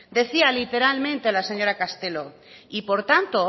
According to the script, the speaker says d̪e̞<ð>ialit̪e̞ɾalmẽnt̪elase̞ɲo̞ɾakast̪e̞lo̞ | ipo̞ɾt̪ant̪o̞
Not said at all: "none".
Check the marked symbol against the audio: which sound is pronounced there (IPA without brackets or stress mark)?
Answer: θ